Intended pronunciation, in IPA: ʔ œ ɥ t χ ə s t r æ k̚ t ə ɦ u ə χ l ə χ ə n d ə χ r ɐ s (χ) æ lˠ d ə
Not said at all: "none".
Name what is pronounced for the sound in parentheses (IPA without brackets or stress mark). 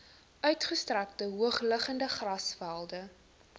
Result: f